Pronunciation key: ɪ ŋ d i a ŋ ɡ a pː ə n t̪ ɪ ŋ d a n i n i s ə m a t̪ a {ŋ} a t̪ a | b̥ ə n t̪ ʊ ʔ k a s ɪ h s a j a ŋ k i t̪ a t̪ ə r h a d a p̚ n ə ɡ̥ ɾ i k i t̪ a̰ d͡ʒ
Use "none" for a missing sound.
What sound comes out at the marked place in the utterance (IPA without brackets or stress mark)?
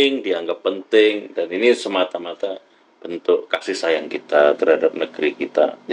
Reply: m